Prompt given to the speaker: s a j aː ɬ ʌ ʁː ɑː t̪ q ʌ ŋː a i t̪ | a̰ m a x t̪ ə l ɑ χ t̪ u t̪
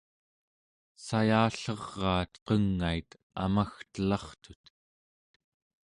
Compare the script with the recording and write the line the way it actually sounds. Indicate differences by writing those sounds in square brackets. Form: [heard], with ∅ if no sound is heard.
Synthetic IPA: s a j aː ɬ ʌ ʁː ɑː t̪ q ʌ ŋː a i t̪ | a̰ m a x t̪ ə l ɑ χ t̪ u t̪